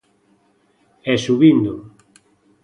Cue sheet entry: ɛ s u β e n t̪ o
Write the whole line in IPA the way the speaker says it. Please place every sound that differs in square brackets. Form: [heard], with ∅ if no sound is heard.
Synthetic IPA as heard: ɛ s u β [i] n [d̪] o